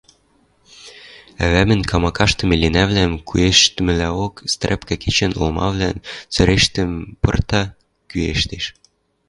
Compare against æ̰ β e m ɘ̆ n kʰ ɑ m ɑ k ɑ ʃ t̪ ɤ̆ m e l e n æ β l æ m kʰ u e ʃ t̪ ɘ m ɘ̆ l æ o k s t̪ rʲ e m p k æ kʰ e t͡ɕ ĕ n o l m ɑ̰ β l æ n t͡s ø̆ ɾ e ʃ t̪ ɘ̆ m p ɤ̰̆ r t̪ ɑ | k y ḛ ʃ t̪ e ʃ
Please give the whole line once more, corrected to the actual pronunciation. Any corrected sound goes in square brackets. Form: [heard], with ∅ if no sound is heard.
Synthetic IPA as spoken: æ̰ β [æ] m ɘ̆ n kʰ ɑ m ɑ k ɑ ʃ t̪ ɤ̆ m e l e n æ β l æ m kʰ u e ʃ t̪ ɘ m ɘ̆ l æ o k s t̪ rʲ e [∅] p k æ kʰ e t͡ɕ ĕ n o l m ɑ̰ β l æ n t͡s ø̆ ɾ e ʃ t̪ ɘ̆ m p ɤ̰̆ r t̪ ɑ | k y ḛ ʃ t̪ e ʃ